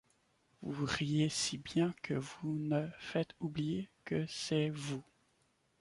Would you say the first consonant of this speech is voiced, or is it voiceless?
voiced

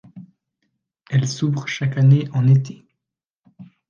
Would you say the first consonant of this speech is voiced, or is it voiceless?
voiced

